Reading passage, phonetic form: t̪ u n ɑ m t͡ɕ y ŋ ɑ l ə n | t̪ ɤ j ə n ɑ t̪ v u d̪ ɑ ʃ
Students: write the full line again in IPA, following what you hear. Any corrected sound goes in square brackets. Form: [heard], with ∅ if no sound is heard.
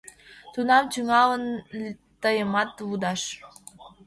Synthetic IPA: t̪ u n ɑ m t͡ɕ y ŋ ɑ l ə n | t̪ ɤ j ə [m] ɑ t̪ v u d̪ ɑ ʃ